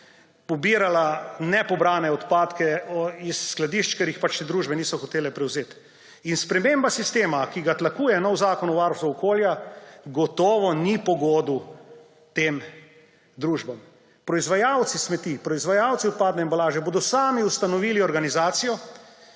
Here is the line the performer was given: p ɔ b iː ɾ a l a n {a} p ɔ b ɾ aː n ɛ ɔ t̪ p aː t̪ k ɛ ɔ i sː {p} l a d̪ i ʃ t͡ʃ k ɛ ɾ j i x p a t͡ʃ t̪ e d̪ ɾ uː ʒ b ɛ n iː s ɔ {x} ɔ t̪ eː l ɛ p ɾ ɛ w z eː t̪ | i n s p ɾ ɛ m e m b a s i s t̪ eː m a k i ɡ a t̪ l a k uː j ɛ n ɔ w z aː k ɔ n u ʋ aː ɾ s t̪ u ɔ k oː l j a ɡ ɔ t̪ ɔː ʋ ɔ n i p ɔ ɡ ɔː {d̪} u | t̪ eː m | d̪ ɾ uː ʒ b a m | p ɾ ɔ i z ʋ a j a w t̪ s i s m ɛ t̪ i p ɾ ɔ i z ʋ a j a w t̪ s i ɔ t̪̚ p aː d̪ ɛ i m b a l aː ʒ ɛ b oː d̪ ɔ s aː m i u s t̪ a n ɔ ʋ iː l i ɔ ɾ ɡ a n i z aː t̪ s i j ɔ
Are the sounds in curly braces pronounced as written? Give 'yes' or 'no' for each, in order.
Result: no, no, yes, yes

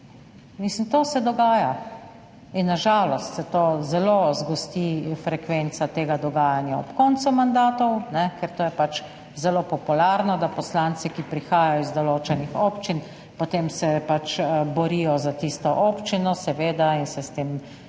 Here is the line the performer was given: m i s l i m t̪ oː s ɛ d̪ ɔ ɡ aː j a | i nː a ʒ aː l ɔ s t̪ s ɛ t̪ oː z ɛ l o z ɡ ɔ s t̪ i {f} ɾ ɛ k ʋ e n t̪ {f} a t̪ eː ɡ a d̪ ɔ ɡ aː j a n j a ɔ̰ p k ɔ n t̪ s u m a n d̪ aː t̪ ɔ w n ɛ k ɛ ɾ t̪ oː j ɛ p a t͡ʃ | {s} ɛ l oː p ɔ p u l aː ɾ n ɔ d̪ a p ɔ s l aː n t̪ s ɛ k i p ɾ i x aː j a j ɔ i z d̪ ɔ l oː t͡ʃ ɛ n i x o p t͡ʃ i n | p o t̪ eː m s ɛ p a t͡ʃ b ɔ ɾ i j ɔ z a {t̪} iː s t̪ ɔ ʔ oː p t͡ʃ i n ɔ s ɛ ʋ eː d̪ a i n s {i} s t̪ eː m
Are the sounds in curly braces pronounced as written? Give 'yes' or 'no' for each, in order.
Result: yes, no, no, yes, no

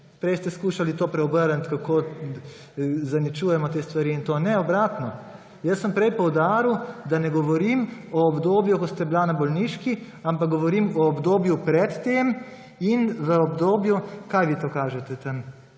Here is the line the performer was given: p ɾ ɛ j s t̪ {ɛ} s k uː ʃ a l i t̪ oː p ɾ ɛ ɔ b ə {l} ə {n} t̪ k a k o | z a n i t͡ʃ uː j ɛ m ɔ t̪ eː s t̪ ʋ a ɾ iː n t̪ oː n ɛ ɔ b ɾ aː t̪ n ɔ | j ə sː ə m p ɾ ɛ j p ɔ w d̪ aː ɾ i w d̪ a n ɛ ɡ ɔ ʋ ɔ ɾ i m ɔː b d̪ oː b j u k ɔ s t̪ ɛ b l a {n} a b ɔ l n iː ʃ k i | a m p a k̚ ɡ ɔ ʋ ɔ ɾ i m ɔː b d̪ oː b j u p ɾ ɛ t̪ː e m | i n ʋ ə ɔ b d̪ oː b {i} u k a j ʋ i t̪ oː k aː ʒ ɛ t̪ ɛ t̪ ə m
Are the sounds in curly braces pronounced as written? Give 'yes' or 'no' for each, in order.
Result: yes, no, yes, yes, no

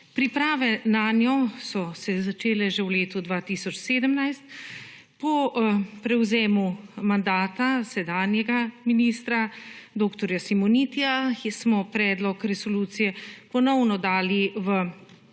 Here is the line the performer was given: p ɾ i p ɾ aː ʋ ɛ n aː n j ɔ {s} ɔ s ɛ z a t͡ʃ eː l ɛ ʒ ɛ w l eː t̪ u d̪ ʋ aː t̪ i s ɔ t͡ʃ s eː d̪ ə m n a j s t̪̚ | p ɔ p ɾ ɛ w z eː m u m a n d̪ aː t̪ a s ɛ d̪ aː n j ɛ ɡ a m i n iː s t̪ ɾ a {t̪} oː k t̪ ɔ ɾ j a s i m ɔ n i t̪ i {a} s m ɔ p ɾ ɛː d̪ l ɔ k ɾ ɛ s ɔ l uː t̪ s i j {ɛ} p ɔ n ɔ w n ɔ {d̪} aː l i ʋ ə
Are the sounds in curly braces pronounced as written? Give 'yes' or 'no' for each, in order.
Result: yes, no, yes, yes, yes

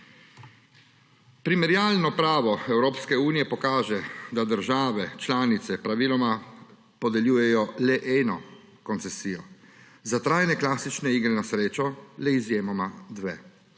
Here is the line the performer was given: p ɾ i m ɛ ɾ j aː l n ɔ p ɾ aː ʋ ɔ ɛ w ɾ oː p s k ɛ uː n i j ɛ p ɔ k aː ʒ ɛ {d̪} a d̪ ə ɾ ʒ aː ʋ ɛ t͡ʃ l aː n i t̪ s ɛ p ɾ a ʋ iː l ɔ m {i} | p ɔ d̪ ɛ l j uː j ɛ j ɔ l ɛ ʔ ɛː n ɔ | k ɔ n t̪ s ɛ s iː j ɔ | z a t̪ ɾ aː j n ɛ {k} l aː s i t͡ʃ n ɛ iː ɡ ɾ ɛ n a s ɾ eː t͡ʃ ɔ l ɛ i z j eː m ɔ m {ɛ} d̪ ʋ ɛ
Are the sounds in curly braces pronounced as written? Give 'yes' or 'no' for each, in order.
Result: yes, no, yes, no

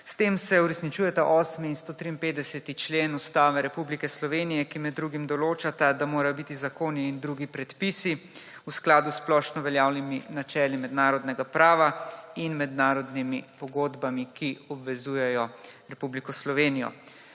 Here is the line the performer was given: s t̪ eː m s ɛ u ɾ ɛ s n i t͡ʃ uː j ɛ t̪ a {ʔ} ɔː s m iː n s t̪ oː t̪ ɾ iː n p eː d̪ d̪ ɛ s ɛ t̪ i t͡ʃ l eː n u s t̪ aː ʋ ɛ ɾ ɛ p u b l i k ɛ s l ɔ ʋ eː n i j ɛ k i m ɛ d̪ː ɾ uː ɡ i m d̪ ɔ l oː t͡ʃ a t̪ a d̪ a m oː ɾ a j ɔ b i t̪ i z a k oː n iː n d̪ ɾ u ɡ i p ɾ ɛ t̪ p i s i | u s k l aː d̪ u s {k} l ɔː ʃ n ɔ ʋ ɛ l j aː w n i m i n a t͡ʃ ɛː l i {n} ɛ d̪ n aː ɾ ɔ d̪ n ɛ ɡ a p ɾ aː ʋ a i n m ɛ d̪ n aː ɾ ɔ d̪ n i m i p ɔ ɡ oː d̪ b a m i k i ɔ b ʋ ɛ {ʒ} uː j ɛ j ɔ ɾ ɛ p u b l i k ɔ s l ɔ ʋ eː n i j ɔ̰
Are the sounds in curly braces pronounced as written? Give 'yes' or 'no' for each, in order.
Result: yes, no, no, no

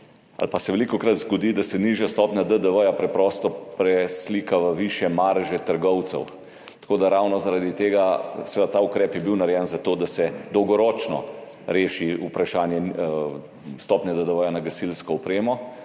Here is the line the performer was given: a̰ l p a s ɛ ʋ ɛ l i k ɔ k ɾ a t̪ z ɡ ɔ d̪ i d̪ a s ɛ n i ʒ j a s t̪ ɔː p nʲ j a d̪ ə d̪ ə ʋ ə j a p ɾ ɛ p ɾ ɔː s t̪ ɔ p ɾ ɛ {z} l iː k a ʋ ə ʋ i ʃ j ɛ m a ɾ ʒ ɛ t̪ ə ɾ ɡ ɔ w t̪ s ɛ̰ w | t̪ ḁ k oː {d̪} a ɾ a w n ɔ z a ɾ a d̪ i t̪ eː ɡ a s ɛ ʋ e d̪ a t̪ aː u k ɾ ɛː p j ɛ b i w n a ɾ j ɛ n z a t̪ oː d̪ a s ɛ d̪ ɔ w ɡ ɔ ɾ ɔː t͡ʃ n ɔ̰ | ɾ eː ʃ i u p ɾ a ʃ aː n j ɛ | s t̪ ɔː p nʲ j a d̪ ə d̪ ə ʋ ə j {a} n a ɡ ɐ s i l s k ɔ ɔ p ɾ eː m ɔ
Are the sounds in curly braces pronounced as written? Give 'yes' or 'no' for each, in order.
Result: no, yes, yes

